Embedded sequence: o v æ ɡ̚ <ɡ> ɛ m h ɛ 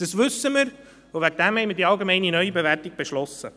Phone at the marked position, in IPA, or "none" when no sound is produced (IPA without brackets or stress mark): d